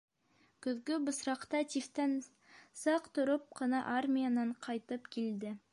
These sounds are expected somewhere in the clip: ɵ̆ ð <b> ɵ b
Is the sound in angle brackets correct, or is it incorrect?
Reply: incorrect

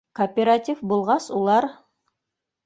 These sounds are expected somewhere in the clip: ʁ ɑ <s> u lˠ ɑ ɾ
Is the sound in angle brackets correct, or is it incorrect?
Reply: correct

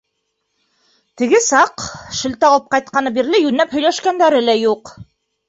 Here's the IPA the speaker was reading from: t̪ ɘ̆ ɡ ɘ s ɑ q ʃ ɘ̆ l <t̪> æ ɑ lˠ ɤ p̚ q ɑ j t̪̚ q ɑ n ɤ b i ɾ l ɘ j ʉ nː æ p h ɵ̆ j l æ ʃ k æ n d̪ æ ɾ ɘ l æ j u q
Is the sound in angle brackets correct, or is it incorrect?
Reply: correct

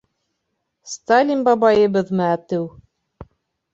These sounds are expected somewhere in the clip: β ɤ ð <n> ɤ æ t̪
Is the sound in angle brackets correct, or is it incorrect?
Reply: incorrect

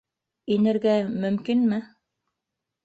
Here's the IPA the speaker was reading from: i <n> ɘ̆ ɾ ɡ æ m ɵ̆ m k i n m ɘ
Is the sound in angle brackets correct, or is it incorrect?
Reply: correct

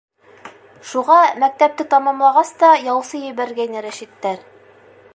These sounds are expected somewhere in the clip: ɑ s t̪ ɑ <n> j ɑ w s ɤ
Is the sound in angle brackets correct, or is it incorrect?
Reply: incorrect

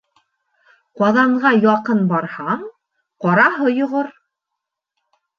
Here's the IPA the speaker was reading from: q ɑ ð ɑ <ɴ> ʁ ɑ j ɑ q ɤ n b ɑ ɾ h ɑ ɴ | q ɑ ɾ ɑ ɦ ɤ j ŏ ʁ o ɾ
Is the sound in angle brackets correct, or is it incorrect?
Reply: correct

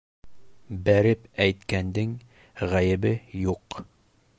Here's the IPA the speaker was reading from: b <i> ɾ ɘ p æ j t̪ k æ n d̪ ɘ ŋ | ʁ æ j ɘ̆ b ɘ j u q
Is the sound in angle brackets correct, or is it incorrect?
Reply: incorrect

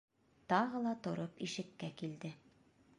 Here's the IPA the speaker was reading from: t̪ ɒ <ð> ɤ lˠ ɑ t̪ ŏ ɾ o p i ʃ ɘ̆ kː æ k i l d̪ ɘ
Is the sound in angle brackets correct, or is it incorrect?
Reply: incorrect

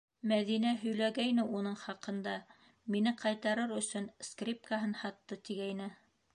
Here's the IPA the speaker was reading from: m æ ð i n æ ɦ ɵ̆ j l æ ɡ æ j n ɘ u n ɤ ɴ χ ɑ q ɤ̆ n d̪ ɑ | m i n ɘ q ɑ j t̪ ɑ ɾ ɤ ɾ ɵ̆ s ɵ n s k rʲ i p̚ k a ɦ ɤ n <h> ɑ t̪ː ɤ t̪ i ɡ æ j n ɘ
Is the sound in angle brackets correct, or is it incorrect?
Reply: correct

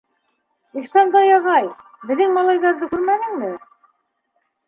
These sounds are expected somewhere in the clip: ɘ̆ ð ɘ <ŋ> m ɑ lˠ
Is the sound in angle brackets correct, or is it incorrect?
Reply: correct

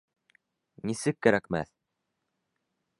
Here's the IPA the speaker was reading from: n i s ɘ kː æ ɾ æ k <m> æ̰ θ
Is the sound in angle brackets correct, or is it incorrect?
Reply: correct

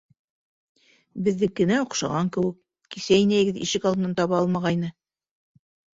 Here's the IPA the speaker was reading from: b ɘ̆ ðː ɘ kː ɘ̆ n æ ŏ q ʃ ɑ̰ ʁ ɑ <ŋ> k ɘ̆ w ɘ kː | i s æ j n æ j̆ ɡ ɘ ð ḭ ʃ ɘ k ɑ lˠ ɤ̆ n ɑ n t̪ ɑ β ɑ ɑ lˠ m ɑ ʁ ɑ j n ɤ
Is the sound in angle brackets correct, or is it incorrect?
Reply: correct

